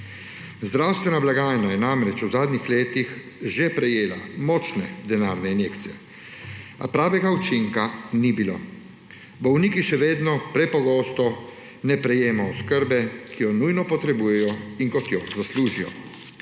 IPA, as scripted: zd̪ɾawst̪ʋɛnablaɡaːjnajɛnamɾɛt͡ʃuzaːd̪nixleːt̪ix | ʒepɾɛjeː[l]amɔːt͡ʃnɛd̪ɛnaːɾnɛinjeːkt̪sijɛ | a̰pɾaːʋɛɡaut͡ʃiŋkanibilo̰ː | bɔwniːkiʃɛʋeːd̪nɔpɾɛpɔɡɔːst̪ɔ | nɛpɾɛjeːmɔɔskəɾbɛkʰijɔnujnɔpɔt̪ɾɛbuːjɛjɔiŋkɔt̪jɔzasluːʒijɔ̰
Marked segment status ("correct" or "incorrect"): correct